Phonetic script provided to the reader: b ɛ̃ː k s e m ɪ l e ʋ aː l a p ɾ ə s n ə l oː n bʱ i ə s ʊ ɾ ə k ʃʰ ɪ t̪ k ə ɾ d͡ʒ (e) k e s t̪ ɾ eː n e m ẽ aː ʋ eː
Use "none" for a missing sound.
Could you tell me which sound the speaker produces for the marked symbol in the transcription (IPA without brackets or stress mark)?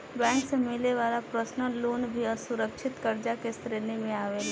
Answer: a